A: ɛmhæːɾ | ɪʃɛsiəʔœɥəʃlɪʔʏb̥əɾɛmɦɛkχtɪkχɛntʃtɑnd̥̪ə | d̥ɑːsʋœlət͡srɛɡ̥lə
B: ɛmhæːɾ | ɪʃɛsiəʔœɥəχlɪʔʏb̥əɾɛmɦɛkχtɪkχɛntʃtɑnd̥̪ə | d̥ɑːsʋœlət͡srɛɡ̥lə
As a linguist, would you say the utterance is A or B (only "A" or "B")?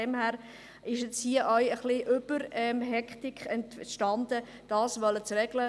B